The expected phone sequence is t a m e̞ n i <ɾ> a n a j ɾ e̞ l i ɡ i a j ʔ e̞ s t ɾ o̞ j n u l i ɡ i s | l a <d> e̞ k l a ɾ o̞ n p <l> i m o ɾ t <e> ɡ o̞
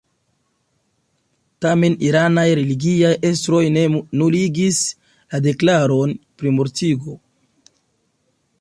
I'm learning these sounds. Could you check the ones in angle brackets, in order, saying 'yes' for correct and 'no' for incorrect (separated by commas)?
yes, yes, no, no